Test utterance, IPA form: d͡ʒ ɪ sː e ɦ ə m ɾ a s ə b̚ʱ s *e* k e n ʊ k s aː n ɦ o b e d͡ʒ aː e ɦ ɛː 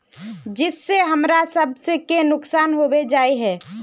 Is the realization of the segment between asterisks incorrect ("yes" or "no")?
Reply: no